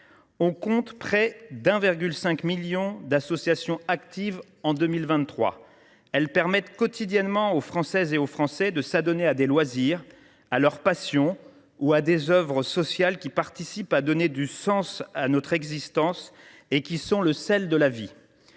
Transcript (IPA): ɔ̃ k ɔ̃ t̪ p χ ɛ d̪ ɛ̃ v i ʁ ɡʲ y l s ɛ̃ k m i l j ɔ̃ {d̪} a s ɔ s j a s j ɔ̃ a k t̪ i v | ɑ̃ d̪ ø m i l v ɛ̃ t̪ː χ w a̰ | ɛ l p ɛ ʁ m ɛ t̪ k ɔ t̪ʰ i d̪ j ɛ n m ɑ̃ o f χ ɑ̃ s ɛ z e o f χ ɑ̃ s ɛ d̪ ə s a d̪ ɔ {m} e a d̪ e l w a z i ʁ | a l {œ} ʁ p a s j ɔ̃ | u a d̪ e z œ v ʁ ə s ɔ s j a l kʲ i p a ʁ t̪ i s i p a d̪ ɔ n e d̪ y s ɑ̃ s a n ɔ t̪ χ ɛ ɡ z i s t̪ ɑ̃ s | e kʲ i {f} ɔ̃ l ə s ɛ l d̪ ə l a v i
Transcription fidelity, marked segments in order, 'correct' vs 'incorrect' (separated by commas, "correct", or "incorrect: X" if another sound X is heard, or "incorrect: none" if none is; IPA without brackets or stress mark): correct, incorrect: n, correct, incorrect: s